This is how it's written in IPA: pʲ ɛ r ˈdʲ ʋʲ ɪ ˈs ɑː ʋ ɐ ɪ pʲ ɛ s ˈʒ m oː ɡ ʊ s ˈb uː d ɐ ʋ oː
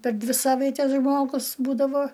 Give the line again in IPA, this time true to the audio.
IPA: pʲ ɛ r ˈdʲ ʋʲ ɪ ˈs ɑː ʋ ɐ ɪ tʲ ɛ s ˈʒ m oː ɡ ʊ s ˈb uː d ɐ ʋ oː